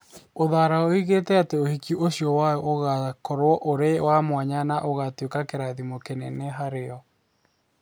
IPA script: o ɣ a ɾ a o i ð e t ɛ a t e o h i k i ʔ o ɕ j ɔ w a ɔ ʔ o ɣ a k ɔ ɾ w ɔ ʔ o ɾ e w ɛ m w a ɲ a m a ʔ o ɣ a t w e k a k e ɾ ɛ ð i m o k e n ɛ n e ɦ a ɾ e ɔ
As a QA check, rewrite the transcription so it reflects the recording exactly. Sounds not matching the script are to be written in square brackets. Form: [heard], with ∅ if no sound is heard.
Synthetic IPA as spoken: o [ð] a ɾ a o i [ɣ] e t ɛ a t e o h i k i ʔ o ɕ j ɔ w a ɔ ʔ o ɣ a k ɔ ɾ w ɔ ʔ o ɾ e w [a] m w a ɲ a [n] a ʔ o ɣ a t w e k a k e ɾ [a] ð i m o k e n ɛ n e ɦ a ɾ e ɔ